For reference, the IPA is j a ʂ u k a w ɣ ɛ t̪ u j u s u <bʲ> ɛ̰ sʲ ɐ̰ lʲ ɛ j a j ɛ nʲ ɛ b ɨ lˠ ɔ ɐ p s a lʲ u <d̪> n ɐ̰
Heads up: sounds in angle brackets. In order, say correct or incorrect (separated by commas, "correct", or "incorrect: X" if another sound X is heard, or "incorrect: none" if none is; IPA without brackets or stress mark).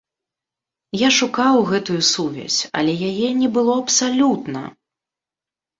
incorrect: vʲ, incorrect: t̪